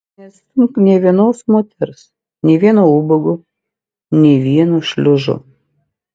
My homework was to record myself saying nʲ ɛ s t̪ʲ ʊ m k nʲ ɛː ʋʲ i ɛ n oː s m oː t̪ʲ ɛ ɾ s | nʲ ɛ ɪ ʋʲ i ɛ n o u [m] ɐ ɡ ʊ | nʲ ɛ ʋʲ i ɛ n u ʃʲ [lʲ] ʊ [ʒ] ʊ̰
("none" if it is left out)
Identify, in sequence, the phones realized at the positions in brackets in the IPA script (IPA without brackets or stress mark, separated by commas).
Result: b, lʲ, ʒ